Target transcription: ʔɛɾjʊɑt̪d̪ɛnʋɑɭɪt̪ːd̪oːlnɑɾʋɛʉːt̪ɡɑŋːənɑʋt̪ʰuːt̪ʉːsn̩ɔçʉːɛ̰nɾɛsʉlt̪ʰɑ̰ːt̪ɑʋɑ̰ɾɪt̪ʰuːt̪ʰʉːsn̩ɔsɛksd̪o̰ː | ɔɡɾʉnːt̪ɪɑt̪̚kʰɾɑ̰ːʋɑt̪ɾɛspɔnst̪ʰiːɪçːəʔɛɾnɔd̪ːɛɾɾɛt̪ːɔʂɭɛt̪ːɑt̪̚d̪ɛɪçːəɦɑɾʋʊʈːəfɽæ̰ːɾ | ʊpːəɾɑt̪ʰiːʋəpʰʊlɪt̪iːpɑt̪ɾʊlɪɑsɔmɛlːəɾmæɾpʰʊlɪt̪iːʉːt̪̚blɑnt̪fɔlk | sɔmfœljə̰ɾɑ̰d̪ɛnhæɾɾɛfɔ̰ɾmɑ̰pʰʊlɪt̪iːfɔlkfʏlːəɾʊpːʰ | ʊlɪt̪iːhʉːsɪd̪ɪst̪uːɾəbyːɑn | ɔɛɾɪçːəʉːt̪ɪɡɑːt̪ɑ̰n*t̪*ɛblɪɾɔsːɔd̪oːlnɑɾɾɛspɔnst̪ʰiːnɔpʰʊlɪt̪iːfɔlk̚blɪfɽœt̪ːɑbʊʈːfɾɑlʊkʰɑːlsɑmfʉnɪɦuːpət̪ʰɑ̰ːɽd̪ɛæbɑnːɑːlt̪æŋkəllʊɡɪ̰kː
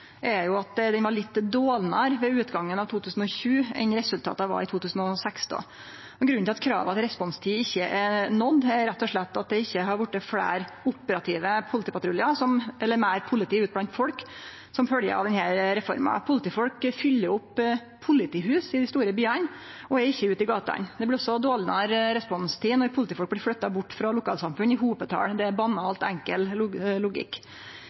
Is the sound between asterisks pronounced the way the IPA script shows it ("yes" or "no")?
no